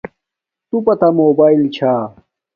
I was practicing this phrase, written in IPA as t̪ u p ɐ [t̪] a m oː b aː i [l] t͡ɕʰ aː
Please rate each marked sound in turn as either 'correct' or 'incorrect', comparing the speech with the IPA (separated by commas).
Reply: correct, correct